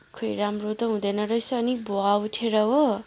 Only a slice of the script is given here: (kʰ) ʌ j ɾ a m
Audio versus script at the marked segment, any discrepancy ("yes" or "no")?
no